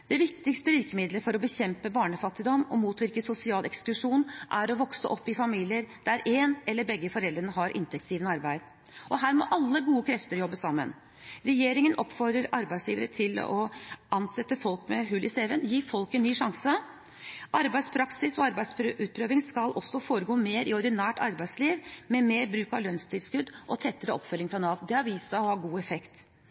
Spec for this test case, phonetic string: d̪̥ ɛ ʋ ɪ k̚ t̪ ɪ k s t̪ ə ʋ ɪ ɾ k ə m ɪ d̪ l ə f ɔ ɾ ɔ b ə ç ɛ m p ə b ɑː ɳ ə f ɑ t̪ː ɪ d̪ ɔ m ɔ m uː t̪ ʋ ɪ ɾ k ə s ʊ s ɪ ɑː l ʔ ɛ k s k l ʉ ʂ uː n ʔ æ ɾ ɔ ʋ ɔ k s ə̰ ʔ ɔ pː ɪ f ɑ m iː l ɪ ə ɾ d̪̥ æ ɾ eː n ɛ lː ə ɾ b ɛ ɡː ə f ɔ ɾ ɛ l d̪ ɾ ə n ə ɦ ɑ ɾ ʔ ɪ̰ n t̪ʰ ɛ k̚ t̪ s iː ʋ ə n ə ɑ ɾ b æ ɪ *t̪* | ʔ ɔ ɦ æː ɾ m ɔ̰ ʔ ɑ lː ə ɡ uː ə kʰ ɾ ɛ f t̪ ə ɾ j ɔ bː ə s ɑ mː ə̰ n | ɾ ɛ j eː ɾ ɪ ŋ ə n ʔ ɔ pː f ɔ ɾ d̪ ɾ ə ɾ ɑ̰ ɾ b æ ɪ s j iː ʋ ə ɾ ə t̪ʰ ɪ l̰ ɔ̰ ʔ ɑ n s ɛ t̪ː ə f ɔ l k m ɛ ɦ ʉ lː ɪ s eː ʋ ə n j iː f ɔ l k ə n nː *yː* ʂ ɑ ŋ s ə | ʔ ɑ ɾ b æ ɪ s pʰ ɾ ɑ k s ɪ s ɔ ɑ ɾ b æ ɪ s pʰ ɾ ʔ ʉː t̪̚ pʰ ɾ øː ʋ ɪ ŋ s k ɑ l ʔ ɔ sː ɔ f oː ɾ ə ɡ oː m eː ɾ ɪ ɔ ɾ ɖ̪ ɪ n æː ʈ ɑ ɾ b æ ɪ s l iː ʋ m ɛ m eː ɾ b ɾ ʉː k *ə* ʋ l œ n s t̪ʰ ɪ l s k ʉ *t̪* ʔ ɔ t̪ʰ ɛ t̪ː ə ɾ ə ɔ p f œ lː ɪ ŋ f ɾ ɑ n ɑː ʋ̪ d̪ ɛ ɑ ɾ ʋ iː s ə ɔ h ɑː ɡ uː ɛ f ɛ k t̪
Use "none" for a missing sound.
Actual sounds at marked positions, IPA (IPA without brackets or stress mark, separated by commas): d̪, yː, ɑ, d̪